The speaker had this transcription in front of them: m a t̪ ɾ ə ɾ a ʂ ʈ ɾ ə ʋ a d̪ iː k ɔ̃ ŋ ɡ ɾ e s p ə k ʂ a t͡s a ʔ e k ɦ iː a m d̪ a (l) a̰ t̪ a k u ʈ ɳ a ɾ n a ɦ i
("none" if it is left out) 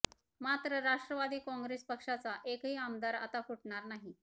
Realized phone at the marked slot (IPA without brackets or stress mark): ɾ